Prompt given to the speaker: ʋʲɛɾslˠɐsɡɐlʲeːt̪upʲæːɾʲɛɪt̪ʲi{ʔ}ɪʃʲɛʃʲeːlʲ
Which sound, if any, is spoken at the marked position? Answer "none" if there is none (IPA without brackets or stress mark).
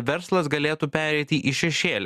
ʔ